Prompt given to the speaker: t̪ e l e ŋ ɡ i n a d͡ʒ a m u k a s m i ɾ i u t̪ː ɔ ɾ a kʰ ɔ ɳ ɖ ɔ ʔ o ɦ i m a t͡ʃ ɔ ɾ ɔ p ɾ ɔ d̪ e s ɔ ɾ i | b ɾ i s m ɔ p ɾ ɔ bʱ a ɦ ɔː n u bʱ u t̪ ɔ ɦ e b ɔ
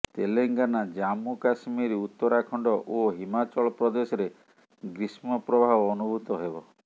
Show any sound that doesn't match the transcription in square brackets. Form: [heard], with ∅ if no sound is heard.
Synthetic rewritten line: t̪ e l e ŋ ɡ [a] n a d͡ʒ a m u k a s m i ɾ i u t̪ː ɔ ɾ a kʰ ɔ ɳ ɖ ɔ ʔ o ɦ i m a t͡ʃ ɔ [ɭ] ɔ p ɾ ɔ d̪ e s ɔ ɾ [e] | [ɡ] ɾ i s m ɔ p ɾ ɔ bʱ a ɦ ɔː n u bʱ u t̪ ɔ ɦ e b ɔ